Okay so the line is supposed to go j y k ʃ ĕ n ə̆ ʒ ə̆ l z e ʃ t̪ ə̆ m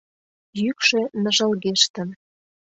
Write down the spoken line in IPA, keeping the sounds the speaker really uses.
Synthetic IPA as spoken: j y k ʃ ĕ n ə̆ ʒ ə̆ l ɣ e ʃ t̪ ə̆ n